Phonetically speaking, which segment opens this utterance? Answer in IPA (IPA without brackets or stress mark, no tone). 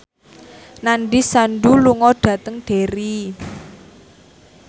n